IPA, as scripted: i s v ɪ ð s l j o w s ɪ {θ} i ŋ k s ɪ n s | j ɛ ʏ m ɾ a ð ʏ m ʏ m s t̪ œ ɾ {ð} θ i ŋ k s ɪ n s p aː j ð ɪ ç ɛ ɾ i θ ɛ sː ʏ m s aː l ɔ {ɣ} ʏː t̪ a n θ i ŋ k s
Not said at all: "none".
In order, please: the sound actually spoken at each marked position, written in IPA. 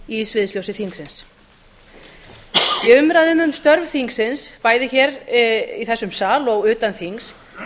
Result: θ, v, ɣ

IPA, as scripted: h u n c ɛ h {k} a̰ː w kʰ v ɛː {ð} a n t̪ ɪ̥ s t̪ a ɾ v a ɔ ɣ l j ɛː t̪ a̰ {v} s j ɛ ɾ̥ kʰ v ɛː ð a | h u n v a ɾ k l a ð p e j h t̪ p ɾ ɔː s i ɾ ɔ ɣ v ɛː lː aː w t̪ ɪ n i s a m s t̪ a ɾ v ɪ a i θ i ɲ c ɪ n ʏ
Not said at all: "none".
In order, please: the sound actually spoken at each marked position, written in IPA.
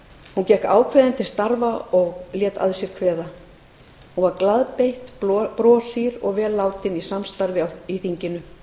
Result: k, ð, ð

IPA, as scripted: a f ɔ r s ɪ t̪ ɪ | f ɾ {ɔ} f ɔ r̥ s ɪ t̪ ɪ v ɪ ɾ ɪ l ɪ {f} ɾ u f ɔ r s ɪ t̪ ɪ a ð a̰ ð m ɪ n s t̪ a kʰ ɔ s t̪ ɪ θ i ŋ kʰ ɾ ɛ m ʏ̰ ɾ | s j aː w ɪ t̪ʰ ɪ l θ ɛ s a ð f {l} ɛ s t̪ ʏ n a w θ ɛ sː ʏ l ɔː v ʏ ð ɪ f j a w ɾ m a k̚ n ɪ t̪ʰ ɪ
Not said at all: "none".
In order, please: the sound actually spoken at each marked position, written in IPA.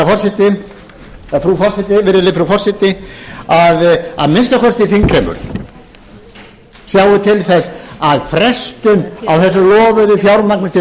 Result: u, f, ɾ

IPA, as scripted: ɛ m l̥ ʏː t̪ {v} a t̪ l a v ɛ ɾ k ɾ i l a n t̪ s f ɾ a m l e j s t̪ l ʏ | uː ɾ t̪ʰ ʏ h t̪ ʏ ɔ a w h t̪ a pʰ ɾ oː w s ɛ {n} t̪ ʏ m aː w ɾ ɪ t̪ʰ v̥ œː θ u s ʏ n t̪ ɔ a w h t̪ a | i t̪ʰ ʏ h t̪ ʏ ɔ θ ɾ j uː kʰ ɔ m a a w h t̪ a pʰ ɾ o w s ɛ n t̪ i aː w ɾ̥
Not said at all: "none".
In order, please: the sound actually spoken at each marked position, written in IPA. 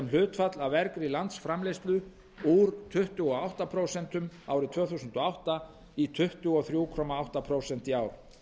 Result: f, n

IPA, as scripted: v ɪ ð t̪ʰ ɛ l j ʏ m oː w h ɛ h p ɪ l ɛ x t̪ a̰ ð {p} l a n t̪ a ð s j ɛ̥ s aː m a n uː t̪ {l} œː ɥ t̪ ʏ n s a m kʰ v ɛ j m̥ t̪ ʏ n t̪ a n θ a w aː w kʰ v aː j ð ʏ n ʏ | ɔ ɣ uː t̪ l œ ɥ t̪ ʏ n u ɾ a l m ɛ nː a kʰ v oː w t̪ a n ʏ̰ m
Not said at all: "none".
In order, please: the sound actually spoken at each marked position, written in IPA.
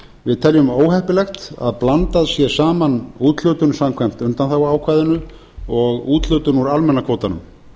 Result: p, l

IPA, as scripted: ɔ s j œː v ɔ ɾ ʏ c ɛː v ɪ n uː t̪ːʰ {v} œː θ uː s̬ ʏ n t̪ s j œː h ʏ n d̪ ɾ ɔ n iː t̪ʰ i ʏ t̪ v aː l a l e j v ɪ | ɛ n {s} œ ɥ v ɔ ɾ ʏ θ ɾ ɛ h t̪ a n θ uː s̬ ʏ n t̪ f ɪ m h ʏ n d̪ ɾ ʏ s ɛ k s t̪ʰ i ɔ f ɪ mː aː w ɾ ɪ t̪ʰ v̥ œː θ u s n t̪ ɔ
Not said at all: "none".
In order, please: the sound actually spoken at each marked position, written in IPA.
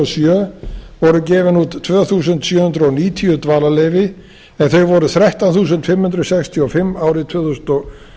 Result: v, θ

